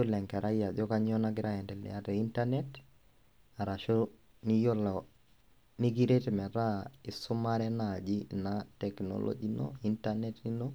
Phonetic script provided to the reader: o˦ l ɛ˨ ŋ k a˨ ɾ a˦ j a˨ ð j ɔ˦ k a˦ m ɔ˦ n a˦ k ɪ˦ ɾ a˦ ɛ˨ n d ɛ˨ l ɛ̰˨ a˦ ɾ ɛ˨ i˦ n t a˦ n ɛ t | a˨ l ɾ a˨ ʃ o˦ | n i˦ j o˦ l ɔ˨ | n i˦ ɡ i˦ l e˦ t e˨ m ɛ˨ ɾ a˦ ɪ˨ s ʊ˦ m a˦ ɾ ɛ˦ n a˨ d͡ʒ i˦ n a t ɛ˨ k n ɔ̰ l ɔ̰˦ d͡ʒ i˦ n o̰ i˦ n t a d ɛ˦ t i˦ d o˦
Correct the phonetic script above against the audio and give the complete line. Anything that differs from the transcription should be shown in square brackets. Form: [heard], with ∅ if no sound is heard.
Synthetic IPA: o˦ l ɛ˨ ŋ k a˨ ɾ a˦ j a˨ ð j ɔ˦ k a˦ [ɲ] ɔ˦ n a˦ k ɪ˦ ɾ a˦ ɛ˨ n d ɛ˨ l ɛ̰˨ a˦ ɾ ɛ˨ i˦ n t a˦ n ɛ t | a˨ [∅] ɾ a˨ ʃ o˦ | n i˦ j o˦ l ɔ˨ | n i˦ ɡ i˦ [ɾ] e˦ t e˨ m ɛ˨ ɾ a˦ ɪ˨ s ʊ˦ m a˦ ɾ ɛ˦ n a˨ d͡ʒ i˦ n a t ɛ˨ k n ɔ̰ l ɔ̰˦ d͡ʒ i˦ n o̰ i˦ n t a [n] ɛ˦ t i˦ [n] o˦